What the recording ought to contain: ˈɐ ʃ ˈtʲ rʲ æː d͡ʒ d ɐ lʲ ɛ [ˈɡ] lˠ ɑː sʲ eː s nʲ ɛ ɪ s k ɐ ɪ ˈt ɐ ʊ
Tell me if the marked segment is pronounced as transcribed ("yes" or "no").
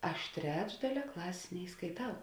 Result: no